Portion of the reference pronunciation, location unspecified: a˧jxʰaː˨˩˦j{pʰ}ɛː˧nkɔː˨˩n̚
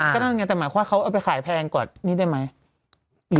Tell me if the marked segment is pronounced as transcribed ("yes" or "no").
yes